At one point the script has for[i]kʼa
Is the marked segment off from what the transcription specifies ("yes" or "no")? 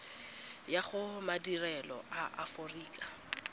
yes